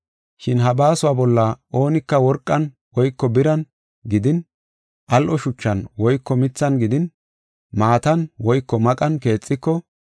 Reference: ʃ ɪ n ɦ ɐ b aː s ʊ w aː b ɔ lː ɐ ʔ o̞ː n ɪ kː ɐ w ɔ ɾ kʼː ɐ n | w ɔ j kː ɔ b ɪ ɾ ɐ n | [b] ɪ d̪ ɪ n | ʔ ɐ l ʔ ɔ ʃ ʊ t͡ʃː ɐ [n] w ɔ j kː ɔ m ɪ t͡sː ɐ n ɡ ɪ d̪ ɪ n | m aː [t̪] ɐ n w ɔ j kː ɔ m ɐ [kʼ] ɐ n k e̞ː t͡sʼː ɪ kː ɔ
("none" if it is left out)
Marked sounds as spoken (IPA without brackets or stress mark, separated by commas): ɡ, n, t̪, kʼ